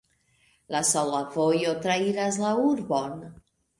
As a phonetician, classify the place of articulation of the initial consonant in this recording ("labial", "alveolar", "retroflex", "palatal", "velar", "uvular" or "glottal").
alveolar